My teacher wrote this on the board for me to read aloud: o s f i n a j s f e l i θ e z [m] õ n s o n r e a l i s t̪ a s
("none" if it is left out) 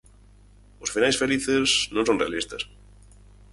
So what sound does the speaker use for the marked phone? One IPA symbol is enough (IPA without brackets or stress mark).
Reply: n